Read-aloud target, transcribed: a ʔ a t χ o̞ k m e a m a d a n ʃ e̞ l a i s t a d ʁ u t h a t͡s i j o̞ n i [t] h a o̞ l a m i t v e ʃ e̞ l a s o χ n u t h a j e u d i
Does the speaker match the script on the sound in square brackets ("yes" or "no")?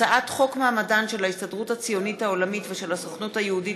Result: yes